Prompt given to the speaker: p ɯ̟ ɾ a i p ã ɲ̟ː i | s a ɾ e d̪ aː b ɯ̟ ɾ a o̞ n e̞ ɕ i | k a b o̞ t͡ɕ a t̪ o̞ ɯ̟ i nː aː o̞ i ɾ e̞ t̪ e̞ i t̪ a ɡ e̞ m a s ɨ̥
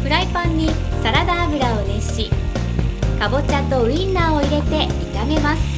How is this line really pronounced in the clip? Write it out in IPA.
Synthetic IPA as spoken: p ɯ̟ ɾ a i p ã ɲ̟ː i | s a ɾ a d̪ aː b ɯ̟ ɾ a o̞ n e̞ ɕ i | k a b o̞ t͡ɕ a t̪ o̞ ɯ̟ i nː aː o̞ i ɾ e̞ t̪ e̞ i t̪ a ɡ e̞ m a s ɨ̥

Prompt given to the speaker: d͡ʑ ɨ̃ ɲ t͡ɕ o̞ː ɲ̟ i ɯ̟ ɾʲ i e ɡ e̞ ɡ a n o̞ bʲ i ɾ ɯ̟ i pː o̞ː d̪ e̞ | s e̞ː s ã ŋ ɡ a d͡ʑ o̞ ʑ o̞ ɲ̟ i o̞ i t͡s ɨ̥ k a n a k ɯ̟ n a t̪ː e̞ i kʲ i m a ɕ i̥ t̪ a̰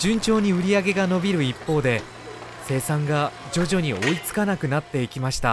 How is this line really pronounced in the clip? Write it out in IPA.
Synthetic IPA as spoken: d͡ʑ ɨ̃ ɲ t͡ɕ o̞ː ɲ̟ i ɯ̟ ɾʲ i a ɡ e̞ ɡ a n o̞ bʲ i ɾ ɯ̟ i pː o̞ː d̪ e̞ | s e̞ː s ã ŋ ɡ a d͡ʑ o̞ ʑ o̞ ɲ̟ i o̞ i t͡s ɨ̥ k a n a k ɯ̟ n a t̪ː e̞ i kʲ i m a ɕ i̥ t̪ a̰

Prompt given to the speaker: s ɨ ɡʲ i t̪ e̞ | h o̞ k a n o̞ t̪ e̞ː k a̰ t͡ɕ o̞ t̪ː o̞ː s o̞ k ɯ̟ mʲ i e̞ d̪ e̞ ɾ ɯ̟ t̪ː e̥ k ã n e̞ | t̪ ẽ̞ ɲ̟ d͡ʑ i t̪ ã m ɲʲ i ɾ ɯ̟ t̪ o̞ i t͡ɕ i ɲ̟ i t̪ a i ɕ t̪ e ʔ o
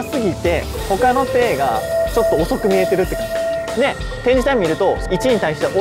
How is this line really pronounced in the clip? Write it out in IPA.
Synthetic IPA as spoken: s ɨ ɡʲ i t̪ e̞ | h o̞ k a n o̞ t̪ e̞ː ɡ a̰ t͡ɕ o̞ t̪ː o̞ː s o̞ k ɯ̟ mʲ i e̞ t̪ e̞ ɾ ɯ̟ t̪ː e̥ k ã n e̞ | t̪ ẽ̞ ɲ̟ d͡ʑ i t̪ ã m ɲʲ i ɾ ɯ̟ t̪ o̞ i t͡ɕ i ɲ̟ i t̪ a i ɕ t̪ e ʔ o

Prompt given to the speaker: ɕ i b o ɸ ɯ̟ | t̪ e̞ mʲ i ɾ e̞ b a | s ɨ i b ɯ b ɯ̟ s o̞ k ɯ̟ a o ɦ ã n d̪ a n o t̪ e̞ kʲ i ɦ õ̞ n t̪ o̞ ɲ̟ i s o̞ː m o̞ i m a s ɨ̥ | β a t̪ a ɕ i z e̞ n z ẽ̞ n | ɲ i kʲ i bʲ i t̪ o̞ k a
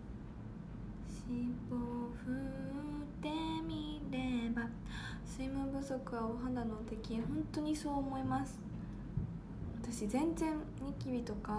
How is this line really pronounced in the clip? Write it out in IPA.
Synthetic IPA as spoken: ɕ i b o ɸ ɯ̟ | t̪ e̞ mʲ i ɾ e̞ b a | s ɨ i m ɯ b ɯ̟ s o̞ k ɯ̟ a o ɦ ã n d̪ a n o t̪ e̞ kʲ i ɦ õ̞ n t̪ o̞ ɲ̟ i s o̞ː m o̞ i m a s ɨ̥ | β a t̪ a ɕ i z ẽ̞ n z ẽ̞ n | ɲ i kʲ i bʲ i t̪ o̞ k a

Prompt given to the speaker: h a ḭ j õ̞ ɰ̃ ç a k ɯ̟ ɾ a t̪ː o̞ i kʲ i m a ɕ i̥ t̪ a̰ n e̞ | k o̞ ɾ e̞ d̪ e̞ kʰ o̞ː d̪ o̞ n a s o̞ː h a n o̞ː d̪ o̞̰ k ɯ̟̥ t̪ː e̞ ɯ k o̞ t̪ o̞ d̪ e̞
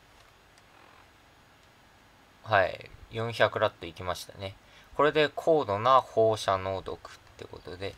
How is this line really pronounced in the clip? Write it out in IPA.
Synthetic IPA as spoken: h a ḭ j õ̞ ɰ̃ ç a k ɯ̟ ɾ a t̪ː o̞ i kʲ i m a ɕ i̥ t̪ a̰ n e̞ | k o̞ ɾ e̞ d̪ e̞ kʰ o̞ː d̪ o̞ n a h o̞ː ɕ a n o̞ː d̪ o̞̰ k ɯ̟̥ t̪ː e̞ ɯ k o̞ t̪ o̞ d̪ e̞

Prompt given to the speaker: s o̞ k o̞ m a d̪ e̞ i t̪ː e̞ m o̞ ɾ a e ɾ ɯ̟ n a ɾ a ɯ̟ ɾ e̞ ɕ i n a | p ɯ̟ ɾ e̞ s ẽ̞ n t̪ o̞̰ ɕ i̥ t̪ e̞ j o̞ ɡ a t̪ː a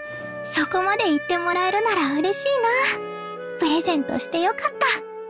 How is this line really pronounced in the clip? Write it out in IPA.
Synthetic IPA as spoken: s o̞ k o̞ m a d̪ e̞ i t̪ː e̞ m o̞ ɾ a e ɾ ɯ̟ n a ɾ a ɯ̟ ɾ e̞ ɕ iː n a | p ɯ̟ ɾ e̞ z ẽ̞ n t̪ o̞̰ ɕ i̥ t̪ e̞ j o̞ k a t̪ː a

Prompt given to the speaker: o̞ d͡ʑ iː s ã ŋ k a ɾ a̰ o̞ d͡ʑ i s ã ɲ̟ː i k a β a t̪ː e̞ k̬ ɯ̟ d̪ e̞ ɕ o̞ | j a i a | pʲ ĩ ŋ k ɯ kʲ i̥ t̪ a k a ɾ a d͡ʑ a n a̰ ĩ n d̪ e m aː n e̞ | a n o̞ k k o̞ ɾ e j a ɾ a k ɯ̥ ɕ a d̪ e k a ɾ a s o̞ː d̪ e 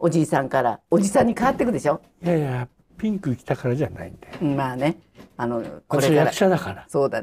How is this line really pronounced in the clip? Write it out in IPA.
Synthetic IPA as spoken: o̞ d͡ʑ iː s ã ŋ k a ɾ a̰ o̞ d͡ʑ i s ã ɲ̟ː i k a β a t̪ː e̞ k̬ ɯ̟ d̪ e̞ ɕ o̞ | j a j a | pʲ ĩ ŋ k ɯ kʲ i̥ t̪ a k a ɾ a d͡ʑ a n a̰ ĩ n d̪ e m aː n e̞ | a n o̞ k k o̞ ɾ e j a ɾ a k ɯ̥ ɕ a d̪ a k a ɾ a s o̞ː d̪ a

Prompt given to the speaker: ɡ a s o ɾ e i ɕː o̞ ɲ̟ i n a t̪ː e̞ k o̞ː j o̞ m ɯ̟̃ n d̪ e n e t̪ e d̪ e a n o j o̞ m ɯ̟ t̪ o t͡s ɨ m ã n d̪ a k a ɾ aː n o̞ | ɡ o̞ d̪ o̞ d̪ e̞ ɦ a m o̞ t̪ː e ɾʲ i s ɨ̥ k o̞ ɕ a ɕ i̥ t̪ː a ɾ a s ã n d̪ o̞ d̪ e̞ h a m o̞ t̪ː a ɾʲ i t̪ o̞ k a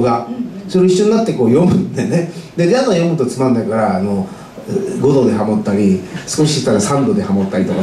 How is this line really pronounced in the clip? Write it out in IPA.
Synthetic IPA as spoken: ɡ a s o ɾ e i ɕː o̞ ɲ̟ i n a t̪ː e̞ k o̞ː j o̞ m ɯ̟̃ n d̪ e n e d̪ e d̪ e a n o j o̞ m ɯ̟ t̪ o t͡s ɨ m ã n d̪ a k a ɾ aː n o̞ | ɡ o̞ d̪ o̞ d̪ e̞ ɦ a m o̞ t̪ː a ɾʲ i s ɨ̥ k o̞ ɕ i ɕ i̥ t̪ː a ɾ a s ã n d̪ o̞ d̪ e̞ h a m o̞ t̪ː a ɾʲ i t̪ o̞ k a

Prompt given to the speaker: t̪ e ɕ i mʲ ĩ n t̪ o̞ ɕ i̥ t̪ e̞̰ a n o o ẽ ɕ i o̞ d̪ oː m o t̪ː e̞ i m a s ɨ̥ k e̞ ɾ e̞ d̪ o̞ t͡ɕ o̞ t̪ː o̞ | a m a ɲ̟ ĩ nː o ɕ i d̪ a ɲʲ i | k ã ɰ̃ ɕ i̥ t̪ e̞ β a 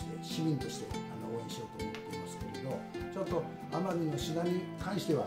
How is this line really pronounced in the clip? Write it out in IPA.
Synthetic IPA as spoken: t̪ e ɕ i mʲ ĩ n t̪ o̞ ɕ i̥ t̪ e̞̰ a n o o ẽ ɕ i o̞ t̪ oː m o t̪ː e̞ i m a s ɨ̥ k e̞ ɾ e̞ d̪ o̞ t͡ɕ o̞ t̪ː o̞ | a m a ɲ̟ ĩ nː o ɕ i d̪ a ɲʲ i | k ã ɰ̃ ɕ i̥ t̪ e̞ β a

